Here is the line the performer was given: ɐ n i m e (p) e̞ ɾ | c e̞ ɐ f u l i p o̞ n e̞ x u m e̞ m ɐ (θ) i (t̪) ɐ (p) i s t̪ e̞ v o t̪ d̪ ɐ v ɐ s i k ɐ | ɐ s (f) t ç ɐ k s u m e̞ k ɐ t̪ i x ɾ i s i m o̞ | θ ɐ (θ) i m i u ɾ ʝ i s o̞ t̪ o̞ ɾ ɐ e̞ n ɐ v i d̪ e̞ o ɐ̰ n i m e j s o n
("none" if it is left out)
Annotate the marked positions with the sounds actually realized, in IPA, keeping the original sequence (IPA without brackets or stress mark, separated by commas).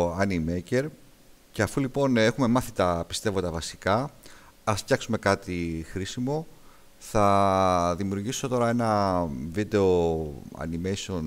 c, θ, t̪, p, f, ð